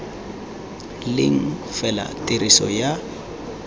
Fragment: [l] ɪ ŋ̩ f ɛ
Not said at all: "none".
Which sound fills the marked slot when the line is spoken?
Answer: l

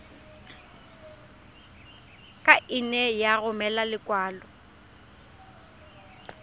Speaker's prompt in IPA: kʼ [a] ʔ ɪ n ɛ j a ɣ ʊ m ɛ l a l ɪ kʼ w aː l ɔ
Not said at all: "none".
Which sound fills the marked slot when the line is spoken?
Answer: a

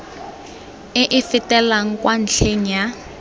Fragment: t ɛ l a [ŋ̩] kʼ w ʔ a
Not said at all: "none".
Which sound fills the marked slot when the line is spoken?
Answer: ŋ̩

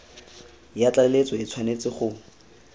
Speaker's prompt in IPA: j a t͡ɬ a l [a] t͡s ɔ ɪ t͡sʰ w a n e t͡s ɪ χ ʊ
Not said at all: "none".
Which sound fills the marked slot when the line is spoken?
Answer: e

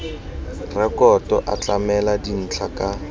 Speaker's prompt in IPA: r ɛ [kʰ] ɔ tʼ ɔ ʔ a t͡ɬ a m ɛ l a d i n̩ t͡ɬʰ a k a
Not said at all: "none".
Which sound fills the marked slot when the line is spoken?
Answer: k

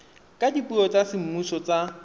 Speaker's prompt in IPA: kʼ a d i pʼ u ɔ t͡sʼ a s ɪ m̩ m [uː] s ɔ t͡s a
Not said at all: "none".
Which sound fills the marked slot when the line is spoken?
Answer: u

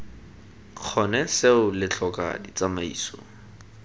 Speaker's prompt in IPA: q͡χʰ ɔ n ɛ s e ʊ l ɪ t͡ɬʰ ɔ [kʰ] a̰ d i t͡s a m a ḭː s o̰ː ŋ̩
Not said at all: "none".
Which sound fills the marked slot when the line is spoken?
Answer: k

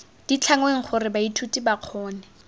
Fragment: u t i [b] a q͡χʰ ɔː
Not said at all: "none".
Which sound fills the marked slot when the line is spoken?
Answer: b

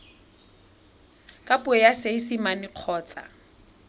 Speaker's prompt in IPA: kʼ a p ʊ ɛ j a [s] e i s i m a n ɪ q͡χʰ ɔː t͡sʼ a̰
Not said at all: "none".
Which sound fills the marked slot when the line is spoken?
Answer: s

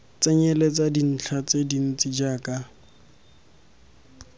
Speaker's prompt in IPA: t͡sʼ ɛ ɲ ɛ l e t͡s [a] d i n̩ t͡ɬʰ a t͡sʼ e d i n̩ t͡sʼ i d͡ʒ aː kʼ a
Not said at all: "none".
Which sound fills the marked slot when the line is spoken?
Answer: a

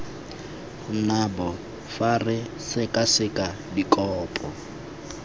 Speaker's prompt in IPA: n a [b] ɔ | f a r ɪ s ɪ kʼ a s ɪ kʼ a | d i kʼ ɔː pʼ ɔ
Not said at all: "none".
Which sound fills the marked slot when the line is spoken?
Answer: b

